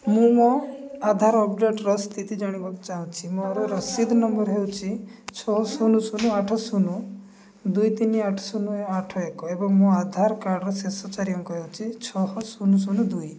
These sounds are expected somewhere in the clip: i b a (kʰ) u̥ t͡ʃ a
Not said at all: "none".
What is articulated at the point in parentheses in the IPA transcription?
k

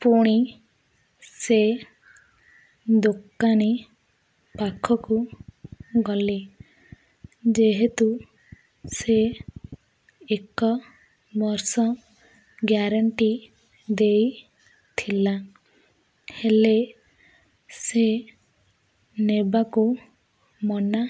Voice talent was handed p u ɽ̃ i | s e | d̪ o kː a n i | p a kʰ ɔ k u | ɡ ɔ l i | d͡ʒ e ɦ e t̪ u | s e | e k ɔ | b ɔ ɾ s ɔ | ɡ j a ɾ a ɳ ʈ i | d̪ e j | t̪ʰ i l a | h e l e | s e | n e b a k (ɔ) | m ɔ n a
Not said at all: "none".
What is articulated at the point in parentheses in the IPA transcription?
u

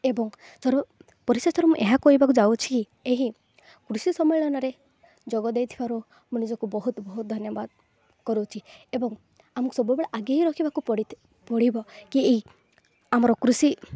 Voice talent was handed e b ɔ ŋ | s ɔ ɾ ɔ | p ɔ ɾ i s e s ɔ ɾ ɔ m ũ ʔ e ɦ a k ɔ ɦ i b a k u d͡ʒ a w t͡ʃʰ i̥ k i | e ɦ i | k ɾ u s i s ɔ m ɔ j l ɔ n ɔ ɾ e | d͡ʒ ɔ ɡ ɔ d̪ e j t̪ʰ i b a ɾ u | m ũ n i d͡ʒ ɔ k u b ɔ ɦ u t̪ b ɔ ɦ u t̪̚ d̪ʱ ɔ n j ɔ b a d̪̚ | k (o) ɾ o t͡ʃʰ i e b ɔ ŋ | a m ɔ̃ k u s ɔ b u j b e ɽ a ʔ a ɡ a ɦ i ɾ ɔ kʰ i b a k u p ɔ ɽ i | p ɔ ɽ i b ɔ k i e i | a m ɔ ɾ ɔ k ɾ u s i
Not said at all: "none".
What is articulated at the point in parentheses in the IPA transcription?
ɔ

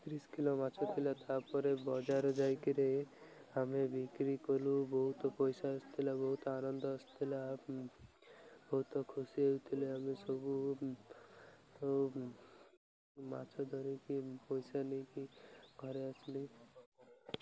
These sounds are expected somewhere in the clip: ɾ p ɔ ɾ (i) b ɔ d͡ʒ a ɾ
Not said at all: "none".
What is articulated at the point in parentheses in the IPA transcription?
e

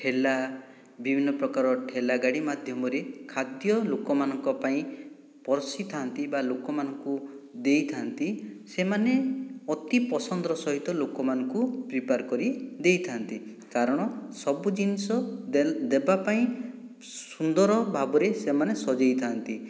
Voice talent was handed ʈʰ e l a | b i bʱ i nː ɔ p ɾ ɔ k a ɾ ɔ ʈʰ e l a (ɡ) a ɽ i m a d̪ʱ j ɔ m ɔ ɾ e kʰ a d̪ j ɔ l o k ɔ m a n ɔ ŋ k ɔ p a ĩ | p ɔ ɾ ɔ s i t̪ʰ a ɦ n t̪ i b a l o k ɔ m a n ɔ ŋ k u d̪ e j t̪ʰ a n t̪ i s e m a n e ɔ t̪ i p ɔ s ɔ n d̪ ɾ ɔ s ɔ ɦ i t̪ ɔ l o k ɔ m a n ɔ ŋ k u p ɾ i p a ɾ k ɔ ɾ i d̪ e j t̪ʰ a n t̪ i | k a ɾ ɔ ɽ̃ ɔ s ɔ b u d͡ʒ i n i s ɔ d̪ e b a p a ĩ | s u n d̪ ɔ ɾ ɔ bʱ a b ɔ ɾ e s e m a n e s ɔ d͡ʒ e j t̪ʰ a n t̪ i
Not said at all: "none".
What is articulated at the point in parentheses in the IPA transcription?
ɡ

